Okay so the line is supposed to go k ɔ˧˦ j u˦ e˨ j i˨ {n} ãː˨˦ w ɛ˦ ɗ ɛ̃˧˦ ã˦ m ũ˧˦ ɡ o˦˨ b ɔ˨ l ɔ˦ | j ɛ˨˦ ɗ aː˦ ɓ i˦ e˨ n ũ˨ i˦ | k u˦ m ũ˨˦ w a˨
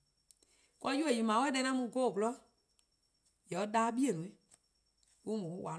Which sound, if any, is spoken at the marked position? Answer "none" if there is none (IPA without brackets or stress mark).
m